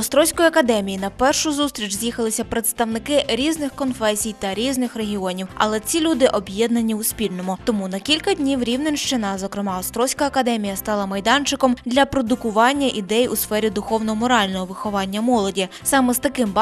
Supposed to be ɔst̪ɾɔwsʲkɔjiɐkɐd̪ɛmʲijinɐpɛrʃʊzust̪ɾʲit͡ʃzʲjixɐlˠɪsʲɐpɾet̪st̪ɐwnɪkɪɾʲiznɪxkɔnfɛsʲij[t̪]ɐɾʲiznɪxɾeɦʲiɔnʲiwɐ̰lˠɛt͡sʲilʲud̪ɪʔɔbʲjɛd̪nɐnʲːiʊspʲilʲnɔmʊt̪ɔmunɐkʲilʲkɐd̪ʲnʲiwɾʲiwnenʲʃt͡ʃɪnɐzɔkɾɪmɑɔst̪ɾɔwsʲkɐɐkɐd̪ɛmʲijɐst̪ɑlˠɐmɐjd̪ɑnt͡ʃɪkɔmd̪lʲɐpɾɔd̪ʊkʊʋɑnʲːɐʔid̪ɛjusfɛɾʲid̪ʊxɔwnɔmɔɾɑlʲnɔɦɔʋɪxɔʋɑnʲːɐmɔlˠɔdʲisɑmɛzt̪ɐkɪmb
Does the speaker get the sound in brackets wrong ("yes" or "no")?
no